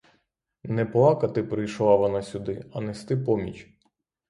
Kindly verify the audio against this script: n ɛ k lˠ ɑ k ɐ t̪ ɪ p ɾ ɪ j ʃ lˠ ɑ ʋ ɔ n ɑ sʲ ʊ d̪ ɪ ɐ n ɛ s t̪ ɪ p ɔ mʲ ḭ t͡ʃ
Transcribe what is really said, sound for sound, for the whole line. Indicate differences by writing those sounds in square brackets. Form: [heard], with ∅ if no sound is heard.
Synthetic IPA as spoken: n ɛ [p] lˠ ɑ k ɐ t̪ ɪ p ɾ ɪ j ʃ lˠ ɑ ʋ ɔ n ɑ sʲ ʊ d̪ ɪ ɐ n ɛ s t̪ ɪ p ɔ mʲ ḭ t͡ʃ

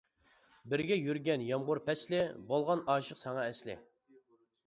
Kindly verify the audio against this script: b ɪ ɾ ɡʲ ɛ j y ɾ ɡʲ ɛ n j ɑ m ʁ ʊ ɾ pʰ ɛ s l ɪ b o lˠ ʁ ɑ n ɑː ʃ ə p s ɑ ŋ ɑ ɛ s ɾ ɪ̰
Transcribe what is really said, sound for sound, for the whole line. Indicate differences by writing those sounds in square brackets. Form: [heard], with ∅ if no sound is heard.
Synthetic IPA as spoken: b ɪ ɾ ɡʲ ɛ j y ɾ ɡʲ ɛ n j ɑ m ʁ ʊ ɾ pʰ ɛ s l ɪ b o lˠ ʁ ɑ n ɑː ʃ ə [q] s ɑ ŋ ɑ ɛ s [l] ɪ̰

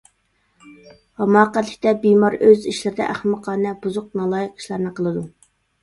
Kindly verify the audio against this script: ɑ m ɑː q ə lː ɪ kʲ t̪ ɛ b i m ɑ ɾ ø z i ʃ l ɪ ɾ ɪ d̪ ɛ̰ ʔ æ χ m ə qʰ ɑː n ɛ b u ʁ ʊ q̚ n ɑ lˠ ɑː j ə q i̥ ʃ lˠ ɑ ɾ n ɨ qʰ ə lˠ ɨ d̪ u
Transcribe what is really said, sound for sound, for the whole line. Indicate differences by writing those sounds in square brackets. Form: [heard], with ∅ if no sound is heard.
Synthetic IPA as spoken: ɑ m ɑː q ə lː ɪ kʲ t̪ ɛ b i m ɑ ɾ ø z i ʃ l ɪ ɾ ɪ d̪ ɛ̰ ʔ æ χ m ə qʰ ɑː n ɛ b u [z] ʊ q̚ n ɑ lˠ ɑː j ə q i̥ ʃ lˠ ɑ ɾ n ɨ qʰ ə lˠ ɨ d̪ u

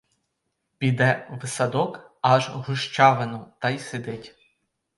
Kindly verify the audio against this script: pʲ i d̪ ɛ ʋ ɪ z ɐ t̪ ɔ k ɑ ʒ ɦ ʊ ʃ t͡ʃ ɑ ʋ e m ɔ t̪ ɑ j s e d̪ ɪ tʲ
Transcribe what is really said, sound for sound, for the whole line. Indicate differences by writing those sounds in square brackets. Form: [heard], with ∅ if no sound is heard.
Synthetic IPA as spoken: pʲ i d̪ ɛ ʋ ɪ [s] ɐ [d̪] ɔ k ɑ ʒ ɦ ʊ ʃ t͡ʃ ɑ ʋ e [n] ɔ t̪ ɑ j s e d̪ ɪ tʲ

